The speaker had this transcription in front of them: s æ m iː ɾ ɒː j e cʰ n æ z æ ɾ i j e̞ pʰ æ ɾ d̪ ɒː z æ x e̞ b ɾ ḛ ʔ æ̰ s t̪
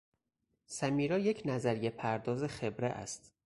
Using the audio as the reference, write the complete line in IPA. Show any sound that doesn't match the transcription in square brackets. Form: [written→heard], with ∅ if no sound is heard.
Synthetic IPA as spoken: s æ m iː ɾ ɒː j e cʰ n æ z æ ɾ i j e̞ pʰ æ ɾ d̪ ɒː z [æ→e] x e̞ b ɾ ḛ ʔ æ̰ s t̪

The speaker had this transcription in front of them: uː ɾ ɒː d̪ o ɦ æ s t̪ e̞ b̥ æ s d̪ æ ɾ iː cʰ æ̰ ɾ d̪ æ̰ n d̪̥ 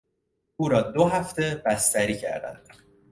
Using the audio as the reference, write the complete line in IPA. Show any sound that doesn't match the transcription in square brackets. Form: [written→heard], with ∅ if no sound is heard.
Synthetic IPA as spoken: uː ɾ ɒː d̪ o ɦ æ [s→f] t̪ e̞ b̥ æ s [d̪→t̪] æ ɾ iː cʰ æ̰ ɾ d̪ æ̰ n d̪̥

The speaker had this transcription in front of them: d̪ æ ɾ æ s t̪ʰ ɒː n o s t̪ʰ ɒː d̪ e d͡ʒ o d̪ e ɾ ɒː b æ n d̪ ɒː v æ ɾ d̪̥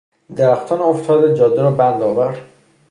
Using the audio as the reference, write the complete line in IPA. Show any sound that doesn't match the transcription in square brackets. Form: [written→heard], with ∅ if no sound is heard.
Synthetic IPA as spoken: d̪ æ ɾ æ [s→x] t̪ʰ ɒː n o [s→f] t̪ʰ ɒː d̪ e d͡ʒ [o→ɒ] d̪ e ɾ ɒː b æ n d̪ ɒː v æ ɾ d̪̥

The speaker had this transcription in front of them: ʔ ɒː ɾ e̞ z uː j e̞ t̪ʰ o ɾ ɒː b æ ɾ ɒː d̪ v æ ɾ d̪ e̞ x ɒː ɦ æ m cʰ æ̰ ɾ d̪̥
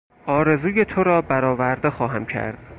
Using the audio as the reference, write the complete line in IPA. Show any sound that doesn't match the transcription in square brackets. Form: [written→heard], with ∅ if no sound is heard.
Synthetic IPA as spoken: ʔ ɒː ɾ e̞ z uː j e̞ t̪ʰ o ɾ ɒː b æ ɾ ɒː [d̪→∅] v æ ɾ d̪ e̞ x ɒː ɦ æ m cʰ æ̰ ɾ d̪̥

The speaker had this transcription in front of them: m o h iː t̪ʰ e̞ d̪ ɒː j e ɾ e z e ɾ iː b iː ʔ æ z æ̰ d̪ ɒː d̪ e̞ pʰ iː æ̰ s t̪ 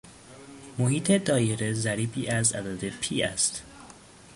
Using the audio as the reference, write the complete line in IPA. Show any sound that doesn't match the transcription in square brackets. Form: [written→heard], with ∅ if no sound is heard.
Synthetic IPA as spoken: m o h iː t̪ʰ e̞ d̪ ɒː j e ɾ e z [e→æ] ɾ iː b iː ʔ æ z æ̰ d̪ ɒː d̪ e̞ pʰ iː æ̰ s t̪

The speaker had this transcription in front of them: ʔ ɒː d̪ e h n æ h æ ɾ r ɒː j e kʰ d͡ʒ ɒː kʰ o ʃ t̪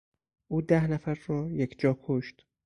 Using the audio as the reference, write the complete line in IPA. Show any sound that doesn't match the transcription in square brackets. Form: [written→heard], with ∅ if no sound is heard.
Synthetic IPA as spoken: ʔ [ɒː→uː] d̪ [e→æ] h n æ [h→f] æ ɾ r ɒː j e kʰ d͡ʒ ɒː kʰ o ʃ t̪

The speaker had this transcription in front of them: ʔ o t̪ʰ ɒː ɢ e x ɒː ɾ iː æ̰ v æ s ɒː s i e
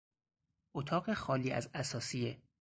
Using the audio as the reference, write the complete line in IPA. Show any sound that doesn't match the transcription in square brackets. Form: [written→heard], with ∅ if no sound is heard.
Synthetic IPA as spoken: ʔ o t̪ʰ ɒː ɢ e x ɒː [ɾ→l] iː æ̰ [v→z] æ s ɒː s i e

